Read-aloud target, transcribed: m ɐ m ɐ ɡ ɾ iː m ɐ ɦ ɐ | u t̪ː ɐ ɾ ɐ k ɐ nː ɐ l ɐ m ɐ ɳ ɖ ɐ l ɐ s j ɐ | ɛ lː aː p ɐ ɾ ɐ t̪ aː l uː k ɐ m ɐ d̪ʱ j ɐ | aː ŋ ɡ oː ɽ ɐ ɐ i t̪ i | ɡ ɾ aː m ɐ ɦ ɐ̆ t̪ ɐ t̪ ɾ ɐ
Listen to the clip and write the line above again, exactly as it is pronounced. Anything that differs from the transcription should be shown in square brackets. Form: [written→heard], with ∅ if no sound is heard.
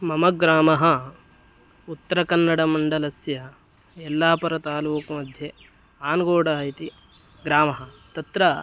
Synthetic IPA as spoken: m ɐ m ɐ ɡ ɾ [iː→aː] m ɐ ɦ ɐ | u t̪ː ɐ ɾ ɐ k ɐ nː ɐ [l→ɽ] ɐ m ɐ ɳ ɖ ɐ l ɐ s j ɐ | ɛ lː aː p ɐ ɾ ɐ t̪ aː l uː k ɐ m ɐ d̪ʱ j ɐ | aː [ŋ→n] ɡ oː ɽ ɐ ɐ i t̪ i | ɡ ɾ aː m ɐ ɦ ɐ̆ t̪ ɐ t̪ ɾ ɐ